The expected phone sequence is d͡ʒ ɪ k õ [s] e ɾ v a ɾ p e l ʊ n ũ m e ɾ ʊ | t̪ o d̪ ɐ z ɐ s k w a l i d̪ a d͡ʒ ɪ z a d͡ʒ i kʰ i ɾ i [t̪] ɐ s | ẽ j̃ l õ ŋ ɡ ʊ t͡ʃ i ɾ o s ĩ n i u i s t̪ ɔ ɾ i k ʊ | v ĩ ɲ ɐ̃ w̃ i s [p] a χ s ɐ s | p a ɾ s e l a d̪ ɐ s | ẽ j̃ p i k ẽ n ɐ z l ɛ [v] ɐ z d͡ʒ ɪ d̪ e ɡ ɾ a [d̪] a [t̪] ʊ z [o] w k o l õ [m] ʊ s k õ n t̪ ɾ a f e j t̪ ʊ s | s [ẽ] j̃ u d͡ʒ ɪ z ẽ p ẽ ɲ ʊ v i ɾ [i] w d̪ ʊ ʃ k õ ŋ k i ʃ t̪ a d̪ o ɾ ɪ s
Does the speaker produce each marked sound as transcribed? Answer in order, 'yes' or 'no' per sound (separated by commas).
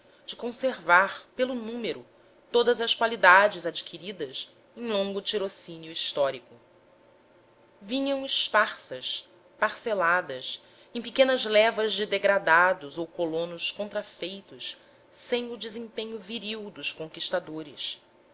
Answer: yes, no, yes, yes, yes, no, yes, no, yes, yes